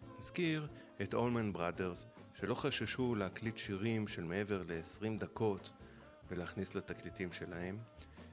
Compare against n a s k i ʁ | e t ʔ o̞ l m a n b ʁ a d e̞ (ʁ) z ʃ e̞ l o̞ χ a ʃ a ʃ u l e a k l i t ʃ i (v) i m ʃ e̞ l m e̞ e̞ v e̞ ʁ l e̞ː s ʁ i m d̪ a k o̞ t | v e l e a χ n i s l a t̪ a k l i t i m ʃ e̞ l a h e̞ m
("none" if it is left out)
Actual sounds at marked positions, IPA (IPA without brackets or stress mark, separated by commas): ʁ, ʁ